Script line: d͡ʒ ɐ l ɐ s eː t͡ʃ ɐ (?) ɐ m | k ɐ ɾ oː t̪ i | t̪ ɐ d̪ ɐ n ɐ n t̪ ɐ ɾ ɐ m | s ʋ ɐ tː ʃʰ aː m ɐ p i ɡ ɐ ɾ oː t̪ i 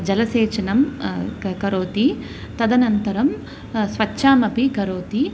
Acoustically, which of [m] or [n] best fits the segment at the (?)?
n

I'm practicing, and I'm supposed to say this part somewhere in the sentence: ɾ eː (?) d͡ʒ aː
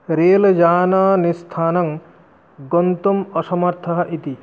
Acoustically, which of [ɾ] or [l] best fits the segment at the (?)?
l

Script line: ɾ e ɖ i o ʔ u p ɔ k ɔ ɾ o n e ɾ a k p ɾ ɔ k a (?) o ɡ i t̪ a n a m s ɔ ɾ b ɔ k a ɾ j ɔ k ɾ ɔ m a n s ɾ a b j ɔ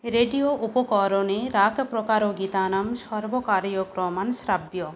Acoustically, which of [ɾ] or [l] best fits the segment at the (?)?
ɾ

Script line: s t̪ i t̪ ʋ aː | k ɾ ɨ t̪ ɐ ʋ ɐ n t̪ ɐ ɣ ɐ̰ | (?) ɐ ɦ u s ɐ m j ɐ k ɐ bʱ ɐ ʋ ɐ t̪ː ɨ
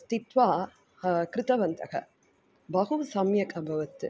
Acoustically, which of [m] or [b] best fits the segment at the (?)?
b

